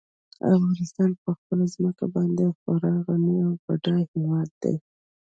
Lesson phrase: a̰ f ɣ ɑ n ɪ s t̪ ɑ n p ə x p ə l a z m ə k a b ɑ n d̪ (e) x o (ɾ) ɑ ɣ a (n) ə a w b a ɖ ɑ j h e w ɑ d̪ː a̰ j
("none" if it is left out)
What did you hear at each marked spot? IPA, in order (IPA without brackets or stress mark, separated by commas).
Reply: e, ɾ, n